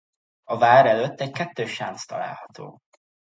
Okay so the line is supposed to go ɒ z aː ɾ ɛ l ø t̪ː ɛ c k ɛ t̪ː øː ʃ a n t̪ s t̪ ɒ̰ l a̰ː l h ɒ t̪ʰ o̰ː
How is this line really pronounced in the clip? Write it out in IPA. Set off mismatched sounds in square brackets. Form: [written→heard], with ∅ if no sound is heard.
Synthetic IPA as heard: ɒ [z→v] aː ɾ ɛ l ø t̪ː ɛ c k ɛ t̪ː øː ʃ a n t̪ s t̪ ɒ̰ l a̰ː l h ɒ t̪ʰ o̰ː